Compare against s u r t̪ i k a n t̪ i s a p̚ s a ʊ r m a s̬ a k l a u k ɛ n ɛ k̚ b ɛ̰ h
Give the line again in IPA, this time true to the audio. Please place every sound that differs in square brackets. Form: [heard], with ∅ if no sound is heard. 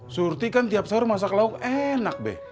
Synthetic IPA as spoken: s u r t̪ i k a n t̪ i [∅] a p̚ s a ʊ r m a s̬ a k l a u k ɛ n [a] k̚ b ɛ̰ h

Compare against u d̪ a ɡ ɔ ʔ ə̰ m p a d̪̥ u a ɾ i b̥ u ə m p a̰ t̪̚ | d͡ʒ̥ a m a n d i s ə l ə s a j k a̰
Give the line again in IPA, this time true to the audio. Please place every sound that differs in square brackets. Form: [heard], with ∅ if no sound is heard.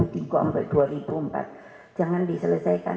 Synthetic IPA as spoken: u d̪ [i] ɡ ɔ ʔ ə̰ m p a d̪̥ u a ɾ i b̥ u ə m p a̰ t̪̚ | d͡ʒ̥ a [ŋ] a n d i s ə l ə s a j k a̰

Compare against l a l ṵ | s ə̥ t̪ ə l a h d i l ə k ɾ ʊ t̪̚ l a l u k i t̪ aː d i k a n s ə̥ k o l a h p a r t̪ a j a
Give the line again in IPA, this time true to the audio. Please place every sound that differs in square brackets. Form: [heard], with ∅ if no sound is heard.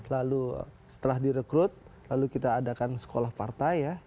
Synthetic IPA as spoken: l a l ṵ | s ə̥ t̪ ə l a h d i [ɾ] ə k ɾ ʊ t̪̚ l a l u k i t̪ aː d [a] k a n s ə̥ k o l a h p a r t̪ a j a

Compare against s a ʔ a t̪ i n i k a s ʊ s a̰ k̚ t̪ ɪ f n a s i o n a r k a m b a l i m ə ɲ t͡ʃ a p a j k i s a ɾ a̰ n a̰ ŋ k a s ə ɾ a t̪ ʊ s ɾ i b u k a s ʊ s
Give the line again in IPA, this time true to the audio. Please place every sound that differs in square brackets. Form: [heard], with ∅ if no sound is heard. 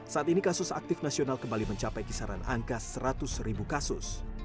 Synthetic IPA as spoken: s a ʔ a t̪ i n i k a s ʊ s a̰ k̚ t̪ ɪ f n a s i o n a [l] k [ə] m b a l i m ə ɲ t͡ʃ a p a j k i s a ɾ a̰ n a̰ ŋ k a s ə ɾ a t̪ ʊ s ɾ i b u k a s ʊ s

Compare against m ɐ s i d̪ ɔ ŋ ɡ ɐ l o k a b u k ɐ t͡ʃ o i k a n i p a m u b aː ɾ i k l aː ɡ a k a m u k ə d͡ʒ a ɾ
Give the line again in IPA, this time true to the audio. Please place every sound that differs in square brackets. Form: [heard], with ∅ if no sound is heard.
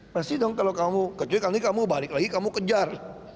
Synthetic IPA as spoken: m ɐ s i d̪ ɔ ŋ [k] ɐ l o k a [m] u k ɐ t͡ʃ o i k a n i [k] a m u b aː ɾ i k l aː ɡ [i] k a m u k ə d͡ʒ a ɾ

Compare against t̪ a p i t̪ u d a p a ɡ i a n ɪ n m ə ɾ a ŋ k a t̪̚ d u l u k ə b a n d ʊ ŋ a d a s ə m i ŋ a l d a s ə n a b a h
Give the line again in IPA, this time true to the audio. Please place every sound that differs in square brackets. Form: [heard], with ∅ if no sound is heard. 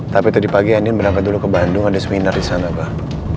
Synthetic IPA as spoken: t̪ a p i t̪ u d [i] p a ɡ i a n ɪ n [b] ə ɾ a ŋ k a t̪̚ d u l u k ə b a n d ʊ ŋ a d a s ə m i [n] a [r] d [i] s [a] n a b a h

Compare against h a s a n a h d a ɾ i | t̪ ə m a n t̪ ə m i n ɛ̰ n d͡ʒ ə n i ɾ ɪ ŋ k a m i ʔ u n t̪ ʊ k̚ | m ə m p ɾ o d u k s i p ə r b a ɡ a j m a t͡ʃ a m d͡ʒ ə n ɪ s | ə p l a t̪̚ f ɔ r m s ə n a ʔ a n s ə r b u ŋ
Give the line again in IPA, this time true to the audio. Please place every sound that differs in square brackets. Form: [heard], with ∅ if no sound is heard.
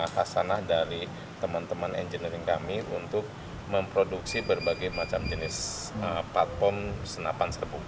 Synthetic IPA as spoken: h a s a n a h d a ɾ i | t̪ ə m a n t̪ ə m [a] n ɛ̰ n d͡ʒ ə n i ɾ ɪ ŋ k a m i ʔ u n t̪ ʊ k̚ | m ə m p ɾ o d u k s i [b] ə r b a ɡ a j m a t͡ʃ a m d͡ʒ ə n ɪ s | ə p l a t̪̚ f ɔ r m s ə n a [p] a n s ə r b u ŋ

